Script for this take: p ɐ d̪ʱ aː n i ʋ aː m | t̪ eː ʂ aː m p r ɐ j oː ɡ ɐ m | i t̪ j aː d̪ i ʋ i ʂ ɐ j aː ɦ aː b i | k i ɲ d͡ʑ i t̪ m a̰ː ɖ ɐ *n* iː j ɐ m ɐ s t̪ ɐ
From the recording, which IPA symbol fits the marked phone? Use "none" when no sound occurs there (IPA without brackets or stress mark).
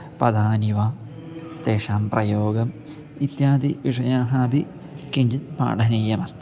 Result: n